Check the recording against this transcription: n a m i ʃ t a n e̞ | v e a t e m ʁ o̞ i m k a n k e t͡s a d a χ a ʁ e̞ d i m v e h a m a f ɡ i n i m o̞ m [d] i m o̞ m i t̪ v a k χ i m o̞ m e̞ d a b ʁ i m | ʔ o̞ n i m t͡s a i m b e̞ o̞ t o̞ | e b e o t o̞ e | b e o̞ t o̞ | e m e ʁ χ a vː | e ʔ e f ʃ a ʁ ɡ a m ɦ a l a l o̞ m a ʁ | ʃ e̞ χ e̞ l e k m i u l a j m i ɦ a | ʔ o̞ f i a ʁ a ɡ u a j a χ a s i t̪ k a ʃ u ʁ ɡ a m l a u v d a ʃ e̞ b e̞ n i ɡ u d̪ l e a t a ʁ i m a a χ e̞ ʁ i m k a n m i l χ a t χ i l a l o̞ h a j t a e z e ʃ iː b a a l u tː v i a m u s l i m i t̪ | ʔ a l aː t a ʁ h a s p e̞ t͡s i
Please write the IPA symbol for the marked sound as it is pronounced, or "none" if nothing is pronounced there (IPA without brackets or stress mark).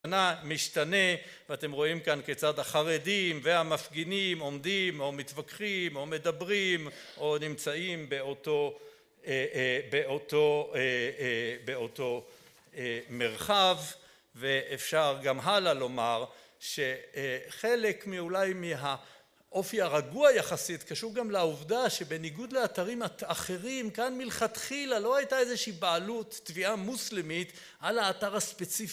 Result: d